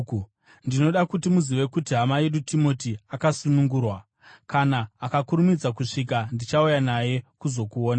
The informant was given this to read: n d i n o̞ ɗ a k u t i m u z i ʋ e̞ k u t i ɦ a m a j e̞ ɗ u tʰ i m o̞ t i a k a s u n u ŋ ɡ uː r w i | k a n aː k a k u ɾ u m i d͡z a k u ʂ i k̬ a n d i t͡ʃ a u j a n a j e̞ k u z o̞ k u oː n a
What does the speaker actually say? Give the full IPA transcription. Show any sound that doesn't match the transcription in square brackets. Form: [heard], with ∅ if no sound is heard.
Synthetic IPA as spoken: n d i n o̞ ɗ a k u t i m u z i ʋ e̞ k u t i ɦ a m a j e̞ ɗ u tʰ i m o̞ t i a k a s u n u ŋ ɡ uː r w [a] | k a n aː k a k u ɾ u m i d͡z a k u ʂ i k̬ a n d i t͡ʃ a u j a n a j e̞ k u z o̞ k u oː n a